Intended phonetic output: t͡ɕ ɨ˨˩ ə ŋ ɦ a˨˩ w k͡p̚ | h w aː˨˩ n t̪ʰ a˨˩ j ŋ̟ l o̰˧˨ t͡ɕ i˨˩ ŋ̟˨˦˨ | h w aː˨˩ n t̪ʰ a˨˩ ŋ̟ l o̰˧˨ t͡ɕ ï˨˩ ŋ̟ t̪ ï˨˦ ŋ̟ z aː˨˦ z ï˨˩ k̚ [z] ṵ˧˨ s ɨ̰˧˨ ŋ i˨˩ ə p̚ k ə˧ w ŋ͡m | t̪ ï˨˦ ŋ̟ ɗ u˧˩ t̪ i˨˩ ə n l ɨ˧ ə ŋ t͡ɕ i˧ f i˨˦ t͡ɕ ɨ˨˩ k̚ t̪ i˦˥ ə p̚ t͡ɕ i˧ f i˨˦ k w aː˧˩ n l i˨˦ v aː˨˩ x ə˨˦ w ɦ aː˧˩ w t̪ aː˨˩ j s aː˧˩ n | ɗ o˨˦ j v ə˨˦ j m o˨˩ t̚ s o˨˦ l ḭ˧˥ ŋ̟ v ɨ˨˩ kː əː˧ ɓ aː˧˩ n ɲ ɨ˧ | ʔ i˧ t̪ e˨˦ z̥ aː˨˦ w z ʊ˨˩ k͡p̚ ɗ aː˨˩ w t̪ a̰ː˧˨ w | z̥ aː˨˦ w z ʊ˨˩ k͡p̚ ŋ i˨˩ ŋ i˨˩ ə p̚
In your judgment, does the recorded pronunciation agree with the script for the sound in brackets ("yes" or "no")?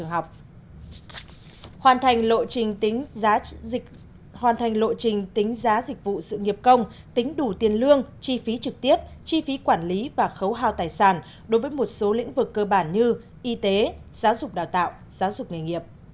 no